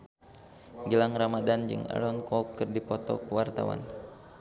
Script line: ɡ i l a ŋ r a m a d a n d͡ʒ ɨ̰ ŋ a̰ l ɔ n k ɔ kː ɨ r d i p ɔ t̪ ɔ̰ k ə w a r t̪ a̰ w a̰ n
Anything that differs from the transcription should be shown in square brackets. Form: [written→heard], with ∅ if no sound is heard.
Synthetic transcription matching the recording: ɡ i l a ŋ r a m a d a n d͡ʒ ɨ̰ ŋ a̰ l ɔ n k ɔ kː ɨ r d i p ɔ t̪ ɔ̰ k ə w a r t̪ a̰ w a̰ n